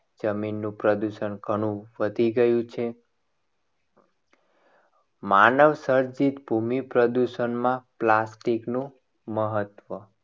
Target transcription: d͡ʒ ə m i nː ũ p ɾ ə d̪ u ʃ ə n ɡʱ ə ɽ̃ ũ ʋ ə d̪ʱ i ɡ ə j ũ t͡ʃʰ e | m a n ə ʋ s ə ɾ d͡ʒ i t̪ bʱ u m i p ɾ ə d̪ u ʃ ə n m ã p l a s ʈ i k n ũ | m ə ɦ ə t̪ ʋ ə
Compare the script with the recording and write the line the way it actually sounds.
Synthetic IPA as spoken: d͡ʒ ə m i nː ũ p ɾ ə d̪ u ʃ ə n ɡʱ ə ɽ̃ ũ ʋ ə d̪ʱ i ɡ ə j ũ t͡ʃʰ e | m a n ə ʋ s ə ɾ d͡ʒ i t̪ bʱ u m i p ɾ ə d̪ u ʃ ə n m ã p l a s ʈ i k n ũ | m ə ɦ ə t̪ ʋ ə